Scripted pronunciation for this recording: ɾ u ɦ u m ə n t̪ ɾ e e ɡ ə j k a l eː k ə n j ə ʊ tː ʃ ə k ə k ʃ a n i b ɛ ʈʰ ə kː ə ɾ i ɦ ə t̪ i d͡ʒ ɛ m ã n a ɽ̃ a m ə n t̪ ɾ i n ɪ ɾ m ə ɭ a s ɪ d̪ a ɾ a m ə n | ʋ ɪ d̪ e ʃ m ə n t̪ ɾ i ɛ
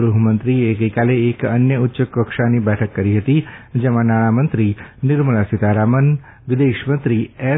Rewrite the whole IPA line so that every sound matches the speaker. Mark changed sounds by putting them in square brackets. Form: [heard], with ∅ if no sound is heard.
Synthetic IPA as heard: ɾ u ɦ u m ə n t̪ ɾ [i] e ɡ ə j k a l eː k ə n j ə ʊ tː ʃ ə k ə k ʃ a n i b ɛ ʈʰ ə kː ə ɾ i ɦ ə t̪ i d͡ʒ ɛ m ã n a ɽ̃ a m ə n t̪ ɾ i n ɪ ɾ m ə ɭ a s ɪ [t̪] a ɾ a m ə n | ʋ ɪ d̪ e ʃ m ə n t̪ ɾ i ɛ

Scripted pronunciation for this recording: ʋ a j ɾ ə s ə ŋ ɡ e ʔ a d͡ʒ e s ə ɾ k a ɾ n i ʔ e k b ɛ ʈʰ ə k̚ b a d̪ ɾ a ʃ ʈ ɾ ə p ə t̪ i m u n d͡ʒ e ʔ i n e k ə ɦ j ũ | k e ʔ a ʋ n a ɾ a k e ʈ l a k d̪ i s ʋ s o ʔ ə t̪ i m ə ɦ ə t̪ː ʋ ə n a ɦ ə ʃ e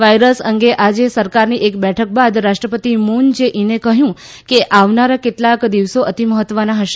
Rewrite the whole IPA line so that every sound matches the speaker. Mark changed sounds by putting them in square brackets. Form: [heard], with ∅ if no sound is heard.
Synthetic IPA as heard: ʋ a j ɾ ə s ə ŋ ɡ e ʔ a d͡ʒ e s ə ɾ k a ɾ n i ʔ e k b ɛ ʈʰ ə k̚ b a d̪ ɾ a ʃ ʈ ɾ ə p ə t̪ i m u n d͡ʒ e ʔ i n e k ə ɦ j ũ | k e ʔ a ʋ n a ɾ a k e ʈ l a k d̪ i [∅] ʋ s o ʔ ə t̪ i m ə ɦ ə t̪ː ʋ ə n a ɦ ə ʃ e

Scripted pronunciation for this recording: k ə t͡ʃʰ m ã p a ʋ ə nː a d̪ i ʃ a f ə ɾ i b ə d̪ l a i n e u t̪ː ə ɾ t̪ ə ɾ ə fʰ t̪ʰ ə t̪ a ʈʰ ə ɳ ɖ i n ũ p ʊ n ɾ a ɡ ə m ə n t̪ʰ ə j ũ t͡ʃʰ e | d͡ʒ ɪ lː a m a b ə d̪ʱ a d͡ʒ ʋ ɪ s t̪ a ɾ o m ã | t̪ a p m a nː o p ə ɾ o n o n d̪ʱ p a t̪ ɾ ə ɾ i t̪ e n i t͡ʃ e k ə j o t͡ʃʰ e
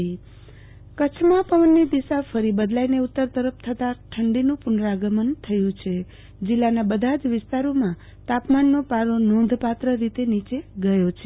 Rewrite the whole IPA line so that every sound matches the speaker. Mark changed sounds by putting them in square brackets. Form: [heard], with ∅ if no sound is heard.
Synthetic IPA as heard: k ə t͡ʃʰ m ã p [ə] ʋ ə nː [i] d̪ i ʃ a f ə ɾ i b ə d̪ l a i n e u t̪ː ə ɾ t̪ ə ɾ ə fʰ t̪ʰ ə t̪ a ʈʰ ə ɳ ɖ i n ũ p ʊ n ɾ a ɡ ə m ə n t̪ʰ ə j ũ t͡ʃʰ e | d͡ʒ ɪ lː a [n] a b ə d̪ʱ a d͡ʒ ʋ ɪ s t̪ a ɾ o m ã | t̪ a p m a nː o p [a] ɾ o n o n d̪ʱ p a t̪ ɾ ə ɾ i t̪ e n i t͡ʃ e [ɡ] ə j o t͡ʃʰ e

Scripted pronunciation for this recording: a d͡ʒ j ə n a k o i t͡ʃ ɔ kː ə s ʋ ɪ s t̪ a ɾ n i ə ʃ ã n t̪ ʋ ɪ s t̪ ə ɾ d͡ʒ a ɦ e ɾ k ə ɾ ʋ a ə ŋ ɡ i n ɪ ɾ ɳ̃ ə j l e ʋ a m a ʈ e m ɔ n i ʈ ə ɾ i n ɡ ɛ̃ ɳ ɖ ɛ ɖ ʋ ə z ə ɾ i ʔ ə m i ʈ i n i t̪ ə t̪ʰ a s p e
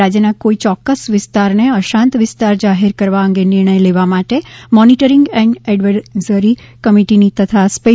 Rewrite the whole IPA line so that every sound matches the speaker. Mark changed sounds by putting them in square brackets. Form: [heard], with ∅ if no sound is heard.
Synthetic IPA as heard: a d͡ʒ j ə n a k o i t͡ʃ ɔ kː ə s ʋ ɪ s t̪ a ɾ n [e] ə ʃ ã n t̪ ʋ ɪ s t̪ [a] ɾ d͡ʒ a ɦ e ɾ k ə ɾ ʋ a ə ŋ ɡ [e] n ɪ ɾ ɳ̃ ə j l e ʋ a m a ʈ e m ɔ n i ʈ ə ɾ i [ŋ] ɡ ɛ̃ ɳ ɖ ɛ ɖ ʋ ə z ə ɾ i [k] ə m i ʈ i n i t̪ ə t̪ʰ a s p e

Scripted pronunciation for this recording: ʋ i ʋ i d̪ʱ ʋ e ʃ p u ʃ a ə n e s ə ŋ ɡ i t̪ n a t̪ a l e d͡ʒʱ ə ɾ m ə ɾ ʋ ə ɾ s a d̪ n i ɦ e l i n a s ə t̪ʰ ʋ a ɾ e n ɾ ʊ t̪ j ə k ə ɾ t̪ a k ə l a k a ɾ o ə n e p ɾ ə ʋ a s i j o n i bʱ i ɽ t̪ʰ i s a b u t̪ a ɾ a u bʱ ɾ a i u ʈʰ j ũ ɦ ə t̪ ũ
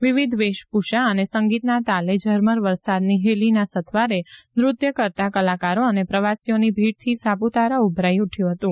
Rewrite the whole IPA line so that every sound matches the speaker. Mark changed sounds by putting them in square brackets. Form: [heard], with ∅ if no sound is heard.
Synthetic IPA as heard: ʋ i ʋ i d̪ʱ ʋ e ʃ p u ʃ a ə n e s ə ŋ ɡ i t̪ n a t̪ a l e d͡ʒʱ ə ɾ m ə ɾ ʋ ə ɾ s a d̪ n i ɦ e l i n a s ə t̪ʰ ʋ a ɾ e n ɾ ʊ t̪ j ə k ə ɾ t̪ a k ə l a k a ɾ o ə n e p ɾ ə ʋ a s i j o n i bʱ i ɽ t̪ʰ i s a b u t̪ a ɾ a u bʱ ɾ a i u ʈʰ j ũ ɦ ə t̪ ũ

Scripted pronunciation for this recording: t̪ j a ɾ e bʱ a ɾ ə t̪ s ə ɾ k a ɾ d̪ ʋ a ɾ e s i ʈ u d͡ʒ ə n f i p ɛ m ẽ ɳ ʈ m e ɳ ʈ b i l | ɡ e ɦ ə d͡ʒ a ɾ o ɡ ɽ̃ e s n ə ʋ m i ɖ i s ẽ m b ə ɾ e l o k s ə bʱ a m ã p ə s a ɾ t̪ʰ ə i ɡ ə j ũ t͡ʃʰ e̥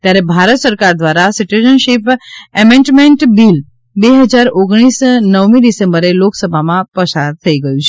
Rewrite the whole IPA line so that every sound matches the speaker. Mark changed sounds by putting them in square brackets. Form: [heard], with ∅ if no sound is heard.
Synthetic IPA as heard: t̪ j a ɾ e bʱ a ɾ ə t̪ s ə ɾ k a ɾ d̪ ʋ a ɾ [a] s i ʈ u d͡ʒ ə n [ʃ] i p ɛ m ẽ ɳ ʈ m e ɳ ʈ b i l | [b] e ɦ ə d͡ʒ a ɾ o ɡ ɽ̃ [i] s n ə ʋ m i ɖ i s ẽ m b ə ɾ e l o k s ə bʱ a m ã p ə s a ɾ t̪ʰ ə i ɡ ə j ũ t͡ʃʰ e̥

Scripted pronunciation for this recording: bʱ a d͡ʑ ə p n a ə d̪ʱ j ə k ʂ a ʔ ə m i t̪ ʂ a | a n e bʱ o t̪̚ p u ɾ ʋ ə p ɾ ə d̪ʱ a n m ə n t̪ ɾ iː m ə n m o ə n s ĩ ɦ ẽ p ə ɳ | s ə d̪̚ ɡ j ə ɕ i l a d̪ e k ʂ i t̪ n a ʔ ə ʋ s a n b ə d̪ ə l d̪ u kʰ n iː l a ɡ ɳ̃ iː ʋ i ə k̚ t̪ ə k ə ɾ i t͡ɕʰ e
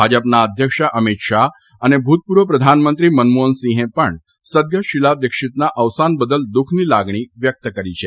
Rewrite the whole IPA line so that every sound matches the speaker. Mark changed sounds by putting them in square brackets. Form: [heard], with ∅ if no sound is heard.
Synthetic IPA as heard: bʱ a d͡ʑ ə p n a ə d̪ʱ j ə k ʂ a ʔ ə m i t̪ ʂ a | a n e bʱ [u] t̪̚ p u ɾ ʋ ə p ɾ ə d̪ʱ a n m ə n t̪ ɾ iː m ə n m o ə n s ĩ ɦ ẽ p ə ɳ | s ə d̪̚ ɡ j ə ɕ i l a d̪ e k ʂ i t̪ n a ʔ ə ʋ s a n b ə d̪ ə l d̪ u kʰ n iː l a ɡ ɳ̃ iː ʋ [j] ə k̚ t̪ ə k ə ɾ i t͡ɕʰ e

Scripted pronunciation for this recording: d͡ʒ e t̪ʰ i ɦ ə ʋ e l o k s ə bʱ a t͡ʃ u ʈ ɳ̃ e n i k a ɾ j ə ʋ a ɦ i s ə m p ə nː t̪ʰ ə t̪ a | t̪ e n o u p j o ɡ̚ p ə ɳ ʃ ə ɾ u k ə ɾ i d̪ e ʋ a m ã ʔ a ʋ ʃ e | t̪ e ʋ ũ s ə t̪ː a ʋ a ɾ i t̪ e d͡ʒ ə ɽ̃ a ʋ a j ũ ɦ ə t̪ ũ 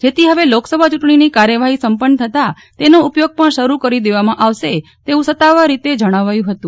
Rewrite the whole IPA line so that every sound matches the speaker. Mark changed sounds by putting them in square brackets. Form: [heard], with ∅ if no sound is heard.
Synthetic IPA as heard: d͡ʒ e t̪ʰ i ɦ ə ʋ e l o k s ə bʱ a t͡ʃ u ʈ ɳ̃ [i] n i k a ɾ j ə ʋ a ɦ i s ə m p ə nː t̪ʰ ə t̪ a | t̪ e n o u p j o ɡ̚ p ə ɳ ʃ ə ɾ u k ə ɾ i d̪ e ʋ a m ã ʔ a ʋ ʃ e | t̪ e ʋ ũ s ə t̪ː a ʋ a ɾ i t̪ e d͡ʒ ə ɽ̃ a ʋ a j ũ ɦ ə t̪ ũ

